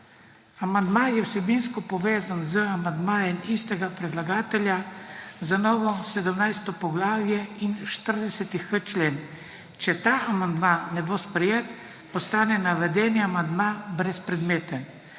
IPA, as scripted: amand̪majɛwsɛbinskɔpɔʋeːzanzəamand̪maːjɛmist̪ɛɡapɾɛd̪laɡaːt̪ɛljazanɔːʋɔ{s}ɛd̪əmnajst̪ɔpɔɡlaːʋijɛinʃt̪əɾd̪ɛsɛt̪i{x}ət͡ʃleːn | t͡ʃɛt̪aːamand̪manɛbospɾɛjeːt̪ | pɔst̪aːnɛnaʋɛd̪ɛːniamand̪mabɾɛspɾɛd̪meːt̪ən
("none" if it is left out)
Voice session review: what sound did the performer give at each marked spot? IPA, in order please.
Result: s, x

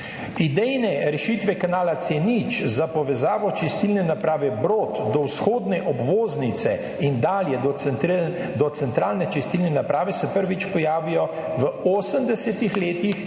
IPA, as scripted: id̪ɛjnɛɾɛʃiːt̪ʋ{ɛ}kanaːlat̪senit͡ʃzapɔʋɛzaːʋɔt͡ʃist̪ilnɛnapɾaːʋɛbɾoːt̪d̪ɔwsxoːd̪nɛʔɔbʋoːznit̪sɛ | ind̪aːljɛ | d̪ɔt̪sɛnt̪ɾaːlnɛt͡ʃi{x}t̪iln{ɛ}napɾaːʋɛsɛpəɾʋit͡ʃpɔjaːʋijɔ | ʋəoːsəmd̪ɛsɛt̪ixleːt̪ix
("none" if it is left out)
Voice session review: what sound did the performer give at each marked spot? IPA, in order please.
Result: ɛ, s, ɛ

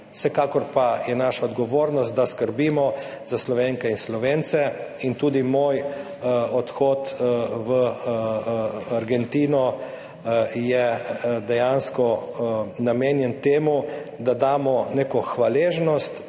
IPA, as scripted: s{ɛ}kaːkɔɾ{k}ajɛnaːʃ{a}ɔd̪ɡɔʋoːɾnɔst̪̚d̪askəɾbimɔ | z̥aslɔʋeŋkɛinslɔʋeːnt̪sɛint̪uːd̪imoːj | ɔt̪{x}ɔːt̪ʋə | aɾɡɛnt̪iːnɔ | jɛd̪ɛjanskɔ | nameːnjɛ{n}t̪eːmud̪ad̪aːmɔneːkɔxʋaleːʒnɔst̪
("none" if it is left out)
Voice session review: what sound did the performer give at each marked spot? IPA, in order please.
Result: ɛ, p, a, x, n

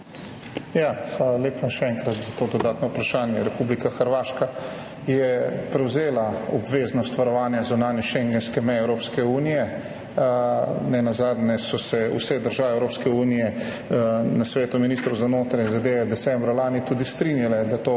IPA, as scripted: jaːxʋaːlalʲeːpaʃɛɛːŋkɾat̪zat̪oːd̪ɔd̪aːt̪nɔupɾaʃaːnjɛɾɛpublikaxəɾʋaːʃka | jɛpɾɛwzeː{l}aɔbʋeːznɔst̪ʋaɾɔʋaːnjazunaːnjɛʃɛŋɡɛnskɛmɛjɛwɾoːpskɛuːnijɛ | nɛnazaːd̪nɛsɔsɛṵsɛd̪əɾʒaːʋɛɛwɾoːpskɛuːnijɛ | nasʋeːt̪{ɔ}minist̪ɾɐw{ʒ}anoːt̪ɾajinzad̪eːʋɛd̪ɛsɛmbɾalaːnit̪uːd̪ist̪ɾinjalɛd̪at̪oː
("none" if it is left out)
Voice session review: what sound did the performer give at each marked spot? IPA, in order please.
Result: l, u, z

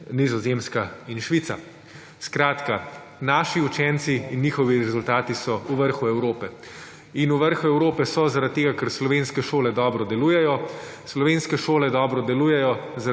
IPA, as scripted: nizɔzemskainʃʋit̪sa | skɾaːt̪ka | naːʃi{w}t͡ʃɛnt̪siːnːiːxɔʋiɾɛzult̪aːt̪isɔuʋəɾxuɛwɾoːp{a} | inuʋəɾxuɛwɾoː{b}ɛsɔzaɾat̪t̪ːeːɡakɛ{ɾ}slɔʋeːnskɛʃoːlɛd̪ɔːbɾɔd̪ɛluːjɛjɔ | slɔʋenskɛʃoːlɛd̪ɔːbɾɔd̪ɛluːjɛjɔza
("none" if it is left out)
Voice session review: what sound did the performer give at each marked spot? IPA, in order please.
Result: u, ɛ, p, ɾ

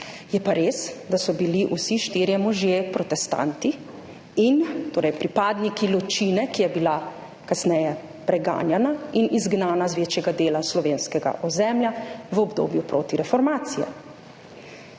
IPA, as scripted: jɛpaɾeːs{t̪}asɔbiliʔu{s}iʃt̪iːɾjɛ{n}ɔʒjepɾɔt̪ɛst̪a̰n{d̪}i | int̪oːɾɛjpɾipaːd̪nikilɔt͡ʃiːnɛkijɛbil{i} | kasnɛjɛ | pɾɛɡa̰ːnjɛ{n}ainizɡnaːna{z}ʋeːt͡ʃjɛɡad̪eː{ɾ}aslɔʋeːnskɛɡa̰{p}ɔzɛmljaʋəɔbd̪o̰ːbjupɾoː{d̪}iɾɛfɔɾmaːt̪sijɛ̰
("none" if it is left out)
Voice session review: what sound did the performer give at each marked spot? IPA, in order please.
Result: d̪, s, m, t̪, a, n, z, l, ʔ, t̪

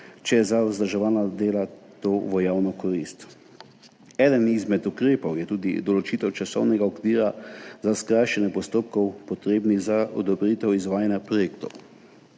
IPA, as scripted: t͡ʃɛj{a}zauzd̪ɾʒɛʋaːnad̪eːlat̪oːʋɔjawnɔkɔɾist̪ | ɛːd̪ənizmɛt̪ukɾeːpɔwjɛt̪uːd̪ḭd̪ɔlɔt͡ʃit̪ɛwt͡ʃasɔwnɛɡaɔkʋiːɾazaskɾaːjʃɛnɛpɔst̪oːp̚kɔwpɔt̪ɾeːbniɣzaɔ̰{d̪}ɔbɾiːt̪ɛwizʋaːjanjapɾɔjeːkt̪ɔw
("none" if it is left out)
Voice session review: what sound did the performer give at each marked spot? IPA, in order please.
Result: ɛ, d̪

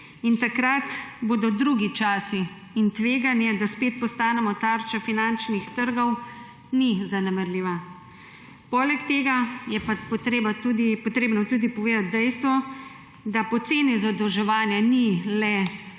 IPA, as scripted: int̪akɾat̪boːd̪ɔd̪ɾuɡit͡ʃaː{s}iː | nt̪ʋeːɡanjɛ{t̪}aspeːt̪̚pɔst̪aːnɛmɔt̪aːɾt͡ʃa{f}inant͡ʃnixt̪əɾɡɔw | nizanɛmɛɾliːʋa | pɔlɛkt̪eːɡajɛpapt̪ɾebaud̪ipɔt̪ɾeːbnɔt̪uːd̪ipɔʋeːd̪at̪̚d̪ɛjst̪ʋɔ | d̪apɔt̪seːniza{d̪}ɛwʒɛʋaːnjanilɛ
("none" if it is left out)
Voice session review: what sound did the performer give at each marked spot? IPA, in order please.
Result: s, d̪, f, d̪

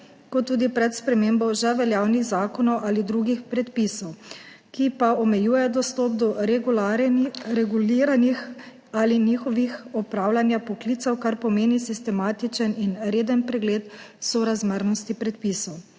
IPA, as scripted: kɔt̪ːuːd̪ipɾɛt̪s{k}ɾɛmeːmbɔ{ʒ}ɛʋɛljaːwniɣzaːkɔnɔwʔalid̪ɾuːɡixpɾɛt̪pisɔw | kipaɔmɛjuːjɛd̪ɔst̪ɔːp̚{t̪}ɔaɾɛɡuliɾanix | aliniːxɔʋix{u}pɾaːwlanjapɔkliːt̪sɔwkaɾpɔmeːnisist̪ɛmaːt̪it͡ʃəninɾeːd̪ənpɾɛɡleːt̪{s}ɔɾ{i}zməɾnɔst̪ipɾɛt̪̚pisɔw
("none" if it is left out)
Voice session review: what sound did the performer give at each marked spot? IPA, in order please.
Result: p, ʒ, d̪, ɔ, s, a

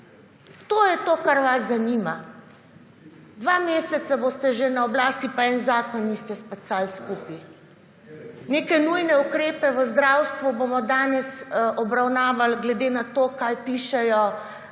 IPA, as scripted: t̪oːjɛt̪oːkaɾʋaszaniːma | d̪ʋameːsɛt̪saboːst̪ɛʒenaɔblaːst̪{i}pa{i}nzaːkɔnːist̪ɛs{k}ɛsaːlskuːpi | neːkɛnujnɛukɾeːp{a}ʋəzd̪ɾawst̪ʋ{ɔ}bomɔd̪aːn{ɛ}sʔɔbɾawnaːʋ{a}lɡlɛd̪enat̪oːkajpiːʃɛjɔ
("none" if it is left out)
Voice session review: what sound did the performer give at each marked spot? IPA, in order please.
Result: i, ɛ, p, ɛ, u, ɛ, a

